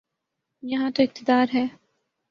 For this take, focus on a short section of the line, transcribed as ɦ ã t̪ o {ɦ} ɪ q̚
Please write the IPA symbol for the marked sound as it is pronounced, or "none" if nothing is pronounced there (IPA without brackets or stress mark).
none